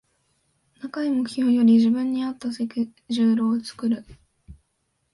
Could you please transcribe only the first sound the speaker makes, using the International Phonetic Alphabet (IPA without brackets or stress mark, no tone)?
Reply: n